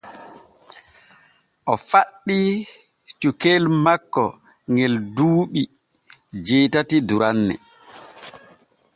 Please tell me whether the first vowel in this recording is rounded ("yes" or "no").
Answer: yes